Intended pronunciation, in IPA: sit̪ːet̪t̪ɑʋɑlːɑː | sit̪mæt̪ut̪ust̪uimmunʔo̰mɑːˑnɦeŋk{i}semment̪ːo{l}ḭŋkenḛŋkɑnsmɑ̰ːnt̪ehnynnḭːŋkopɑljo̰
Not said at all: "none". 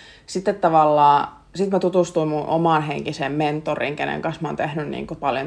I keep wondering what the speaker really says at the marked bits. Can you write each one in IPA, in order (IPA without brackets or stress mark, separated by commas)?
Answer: i, r